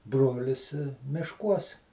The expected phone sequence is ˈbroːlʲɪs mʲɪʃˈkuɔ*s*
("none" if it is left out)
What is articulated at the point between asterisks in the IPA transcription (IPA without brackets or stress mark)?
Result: s